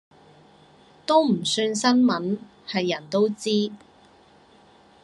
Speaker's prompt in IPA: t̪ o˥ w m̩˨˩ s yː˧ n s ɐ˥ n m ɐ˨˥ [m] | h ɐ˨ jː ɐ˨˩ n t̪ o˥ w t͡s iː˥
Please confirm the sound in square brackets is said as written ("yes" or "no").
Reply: no